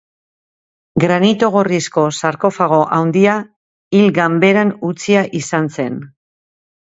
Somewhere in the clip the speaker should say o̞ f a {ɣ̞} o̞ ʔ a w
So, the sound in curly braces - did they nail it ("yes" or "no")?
yes